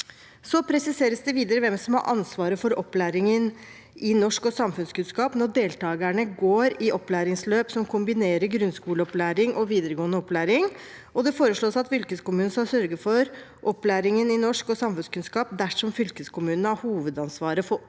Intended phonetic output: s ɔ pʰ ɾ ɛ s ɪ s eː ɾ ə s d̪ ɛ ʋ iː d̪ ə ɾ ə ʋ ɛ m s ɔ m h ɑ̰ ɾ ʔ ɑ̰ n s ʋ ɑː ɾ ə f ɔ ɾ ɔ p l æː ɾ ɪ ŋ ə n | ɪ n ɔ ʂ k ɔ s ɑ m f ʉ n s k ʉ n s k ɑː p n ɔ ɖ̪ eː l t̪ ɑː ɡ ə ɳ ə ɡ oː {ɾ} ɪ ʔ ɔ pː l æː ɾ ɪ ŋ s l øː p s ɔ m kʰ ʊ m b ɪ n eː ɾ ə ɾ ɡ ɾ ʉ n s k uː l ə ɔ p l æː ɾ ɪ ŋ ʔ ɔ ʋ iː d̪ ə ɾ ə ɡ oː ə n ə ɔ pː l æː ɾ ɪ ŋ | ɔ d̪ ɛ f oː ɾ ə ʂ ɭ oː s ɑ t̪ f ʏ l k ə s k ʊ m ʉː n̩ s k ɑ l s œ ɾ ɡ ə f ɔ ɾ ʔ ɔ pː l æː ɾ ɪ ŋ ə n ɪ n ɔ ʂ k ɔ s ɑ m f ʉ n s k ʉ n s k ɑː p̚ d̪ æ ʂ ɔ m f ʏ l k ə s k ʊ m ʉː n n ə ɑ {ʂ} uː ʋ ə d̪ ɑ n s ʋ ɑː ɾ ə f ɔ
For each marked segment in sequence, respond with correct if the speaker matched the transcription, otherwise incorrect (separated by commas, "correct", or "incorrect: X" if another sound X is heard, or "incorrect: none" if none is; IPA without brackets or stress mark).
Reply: correct, incorrect: h